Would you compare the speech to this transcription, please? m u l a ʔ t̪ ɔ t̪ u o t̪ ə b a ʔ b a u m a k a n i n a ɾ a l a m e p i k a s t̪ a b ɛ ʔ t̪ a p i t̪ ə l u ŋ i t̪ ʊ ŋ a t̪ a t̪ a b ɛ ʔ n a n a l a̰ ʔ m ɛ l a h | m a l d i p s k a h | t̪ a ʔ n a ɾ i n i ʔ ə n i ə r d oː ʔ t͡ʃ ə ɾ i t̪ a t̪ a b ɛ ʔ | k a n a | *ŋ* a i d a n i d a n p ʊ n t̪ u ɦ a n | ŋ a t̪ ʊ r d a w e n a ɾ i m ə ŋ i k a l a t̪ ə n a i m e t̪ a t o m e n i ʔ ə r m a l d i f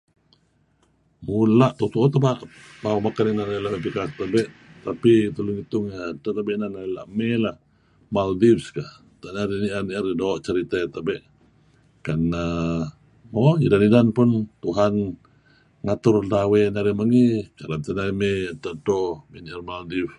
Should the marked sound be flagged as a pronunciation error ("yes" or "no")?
yes